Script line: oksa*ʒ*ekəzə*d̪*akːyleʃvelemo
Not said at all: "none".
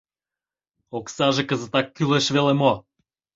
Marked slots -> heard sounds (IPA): ʒ, t̪

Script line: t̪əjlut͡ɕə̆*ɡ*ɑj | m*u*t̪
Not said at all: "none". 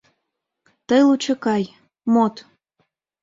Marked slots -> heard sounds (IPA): k, o

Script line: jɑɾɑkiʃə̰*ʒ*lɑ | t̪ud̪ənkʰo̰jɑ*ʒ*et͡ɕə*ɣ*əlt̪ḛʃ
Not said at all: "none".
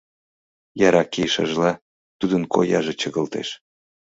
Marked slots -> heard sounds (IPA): ʒ, ʒ, ɣ

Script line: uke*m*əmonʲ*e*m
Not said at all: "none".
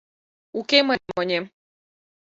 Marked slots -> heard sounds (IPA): m, e

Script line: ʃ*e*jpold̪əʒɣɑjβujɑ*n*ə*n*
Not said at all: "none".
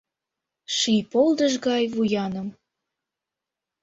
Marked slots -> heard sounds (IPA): i, n, m

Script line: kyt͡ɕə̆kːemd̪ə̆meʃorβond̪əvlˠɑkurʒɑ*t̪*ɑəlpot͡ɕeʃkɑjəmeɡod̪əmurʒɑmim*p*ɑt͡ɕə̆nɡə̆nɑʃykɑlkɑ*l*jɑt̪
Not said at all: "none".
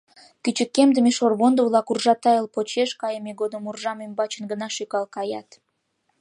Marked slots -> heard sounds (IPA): t̪, b, none

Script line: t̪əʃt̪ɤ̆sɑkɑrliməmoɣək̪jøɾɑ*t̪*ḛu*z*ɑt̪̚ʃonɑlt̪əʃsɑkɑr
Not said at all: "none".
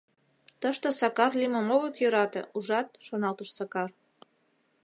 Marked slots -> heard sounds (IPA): t̪, ʒ

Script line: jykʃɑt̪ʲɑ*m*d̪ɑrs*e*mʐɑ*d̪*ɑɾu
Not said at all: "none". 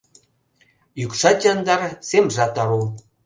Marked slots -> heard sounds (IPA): n, e, t̪

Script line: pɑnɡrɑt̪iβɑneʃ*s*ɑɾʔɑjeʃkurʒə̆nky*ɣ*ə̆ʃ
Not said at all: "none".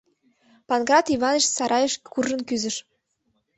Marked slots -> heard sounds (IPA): s, z

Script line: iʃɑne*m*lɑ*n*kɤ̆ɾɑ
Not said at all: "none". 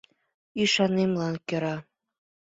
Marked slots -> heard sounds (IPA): m, n

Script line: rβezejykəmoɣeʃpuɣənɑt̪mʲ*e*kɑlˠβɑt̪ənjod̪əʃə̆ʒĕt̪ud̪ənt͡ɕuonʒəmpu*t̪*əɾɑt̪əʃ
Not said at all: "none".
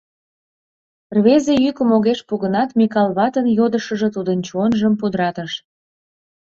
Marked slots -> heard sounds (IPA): i, d̪

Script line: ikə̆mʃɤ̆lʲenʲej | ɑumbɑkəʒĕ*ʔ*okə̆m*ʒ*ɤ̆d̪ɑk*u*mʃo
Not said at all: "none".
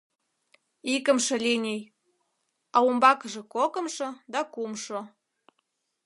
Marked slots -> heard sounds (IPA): k, ʃ, u

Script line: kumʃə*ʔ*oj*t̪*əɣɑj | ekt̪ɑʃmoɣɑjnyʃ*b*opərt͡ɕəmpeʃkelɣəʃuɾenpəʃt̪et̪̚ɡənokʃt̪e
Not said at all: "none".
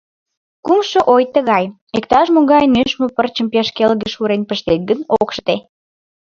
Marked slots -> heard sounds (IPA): ʔ, t̪, m

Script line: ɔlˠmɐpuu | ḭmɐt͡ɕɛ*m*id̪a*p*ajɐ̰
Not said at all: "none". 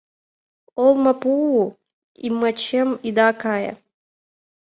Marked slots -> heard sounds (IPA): m, k

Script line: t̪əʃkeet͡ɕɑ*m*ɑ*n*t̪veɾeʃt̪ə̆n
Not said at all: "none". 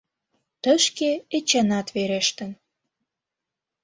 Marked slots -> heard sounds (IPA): n, none

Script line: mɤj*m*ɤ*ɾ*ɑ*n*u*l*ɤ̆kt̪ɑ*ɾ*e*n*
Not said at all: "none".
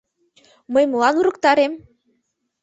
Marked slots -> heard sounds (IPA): m, l, n, ɾ, ɾ, m

